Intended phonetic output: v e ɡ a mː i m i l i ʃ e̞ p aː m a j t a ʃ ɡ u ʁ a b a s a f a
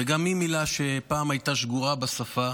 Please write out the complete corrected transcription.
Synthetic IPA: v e ɡ a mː i m i l a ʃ e̞ p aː m a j t a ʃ ɡ u ʁ a b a s a f a

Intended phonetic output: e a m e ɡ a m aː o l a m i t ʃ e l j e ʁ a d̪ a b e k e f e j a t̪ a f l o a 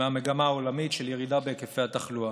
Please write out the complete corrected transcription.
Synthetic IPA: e a m e ɡ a m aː o l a m i t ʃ e l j e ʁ i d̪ a b e k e f e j a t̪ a χ l u a

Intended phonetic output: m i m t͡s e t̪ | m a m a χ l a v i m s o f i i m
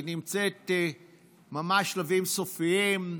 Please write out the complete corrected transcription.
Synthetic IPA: n i m t͡s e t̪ | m a m a ʃ l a v i m s o f i i m

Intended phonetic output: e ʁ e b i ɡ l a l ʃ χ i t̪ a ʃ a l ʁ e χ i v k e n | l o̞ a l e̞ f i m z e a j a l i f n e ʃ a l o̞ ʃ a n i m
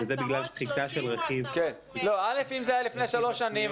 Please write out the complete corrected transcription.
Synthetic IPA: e z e b i ɡ l a l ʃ χ i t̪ a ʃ e l ʁ e χ i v k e n | l o̞ a l e̞ f i m z e a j a l i f n e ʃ a l o̞ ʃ a n i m

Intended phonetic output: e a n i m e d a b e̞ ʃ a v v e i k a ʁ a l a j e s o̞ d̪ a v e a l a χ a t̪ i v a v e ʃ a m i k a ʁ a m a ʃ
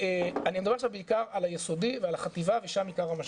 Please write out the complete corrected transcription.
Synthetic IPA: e a n i m e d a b e̞ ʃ a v b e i k a ʁ a l a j e s o̞ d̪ i v e a l a χ a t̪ i v a v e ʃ a m i k a ʁ a m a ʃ

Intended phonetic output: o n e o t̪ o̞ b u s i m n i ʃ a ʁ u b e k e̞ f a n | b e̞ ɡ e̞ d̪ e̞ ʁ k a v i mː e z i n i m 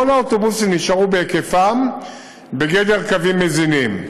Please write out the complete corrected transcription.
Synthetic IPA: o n a o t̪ o̞ b u s i m n i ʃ a ʁ u b e k e̞ f a m | b e̞ ɡ e̞ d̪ e̞ ʁ k a v i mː e z i n i m

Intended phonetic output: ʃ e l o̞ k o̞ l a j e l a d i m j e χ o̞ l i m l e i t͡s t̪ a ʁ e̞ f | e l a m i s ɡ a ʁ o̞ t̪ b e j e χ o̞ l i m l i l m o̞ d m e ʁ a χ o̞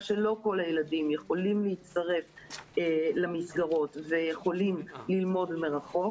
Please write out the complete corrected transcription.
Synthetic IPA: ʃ e l o̞ k o̞ l a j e l a d i m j e χ o̞ l i m l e i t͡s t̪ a ʁ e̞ f | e l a m i s ɡ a ʁ o̞ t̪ v e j e χ o̞ l i m l i l m o̞ d m e ʁ a χ o̞

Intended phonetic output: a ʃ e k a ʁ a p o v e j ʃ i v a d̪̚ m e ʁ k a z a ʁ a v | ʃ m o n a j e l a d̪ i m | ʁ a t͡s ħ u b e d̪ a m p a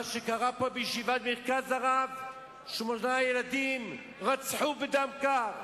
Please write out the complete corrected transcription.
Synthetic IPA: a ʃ e k a ʁ a p o b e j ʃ i v a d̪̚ m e ʁ k a z a ʁ a v | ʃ m o n a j e l a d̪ i m | ʁ a t͡s ħ u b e d̪ a m k a

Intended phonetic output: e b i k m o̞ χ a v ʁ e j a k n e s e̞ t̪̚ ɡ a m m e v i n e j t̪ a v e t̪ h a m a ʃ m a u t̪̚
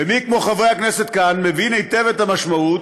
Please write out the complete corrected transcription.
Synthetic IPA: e m i k m o̞ χ a v ʁ e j a k n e s e̞ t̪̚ k a n m e v i n e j t̪ e v e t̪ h a m a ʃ m a u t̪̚

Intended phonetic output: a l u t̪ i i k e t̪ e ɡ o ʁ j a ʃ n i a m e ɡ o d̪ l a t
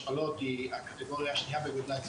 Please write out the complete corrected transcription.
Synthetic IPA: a l o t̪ i a k a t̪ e ɡ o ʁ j a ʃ n i a b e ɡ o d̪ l a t

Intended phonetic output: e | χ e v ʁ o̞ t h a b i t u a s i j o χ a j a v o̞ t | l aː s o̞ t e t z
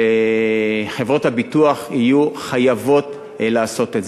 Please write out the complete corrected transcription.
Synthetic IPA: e | χ e v ʁ o̞ t h a b i t u a χ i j u χ a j a v o̞ t | l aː s o̞ t e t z

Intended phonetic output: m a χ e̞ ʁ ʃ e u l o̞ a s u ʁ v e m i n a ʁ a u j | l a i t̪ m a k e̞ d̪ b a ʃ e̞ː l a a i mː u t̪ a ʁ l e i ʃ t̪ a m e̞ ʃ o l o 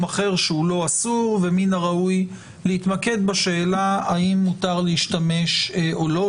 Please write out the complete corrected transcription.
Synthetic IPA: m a χ e̞ ʁ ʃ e u l o̞ a s u ʁ v e m i n a ʁ a u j | l e i t̪ m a k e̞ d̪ b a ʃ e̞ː l a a i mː u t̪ a ʁ l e i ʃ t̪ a m e̞ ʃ o l o

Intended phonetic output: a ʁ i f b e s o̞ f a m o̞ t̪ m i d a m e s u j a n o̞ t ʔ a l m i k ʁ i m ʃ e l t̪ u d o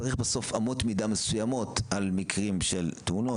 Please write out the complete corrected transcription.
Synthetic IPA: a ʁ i χ b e s o̞ f a m o̞ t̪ m i d a m e s u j a m o̞ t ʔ a l m i k ʁ i m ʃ e l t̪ u n o

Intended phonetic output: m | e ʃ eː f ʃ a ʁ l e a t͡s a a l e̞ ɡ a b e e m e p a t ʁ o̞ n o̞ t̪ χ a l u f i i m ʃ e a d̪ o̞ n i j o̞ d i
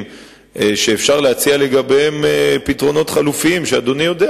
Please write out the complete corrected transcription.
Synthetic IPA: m | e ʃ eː f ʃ a ʁ l e a t͡s i a l e̞ ɡ a b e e m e p i t ʁ o̞ n o̞ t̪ χ a l u f i i m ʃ e a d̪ o̞ n i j o̞ d e

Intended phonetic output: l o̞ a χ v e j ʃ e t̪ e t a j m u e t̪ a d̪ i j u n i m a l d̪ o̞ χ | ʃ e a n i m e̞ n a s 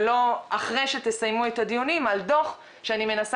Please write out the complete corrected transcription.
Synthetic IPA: l o̞ a χ ʁ e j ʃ e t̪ e s a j m u e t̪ a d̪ i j u n i m a l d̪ o̞ χ | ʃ e a n i m e̞ n a s

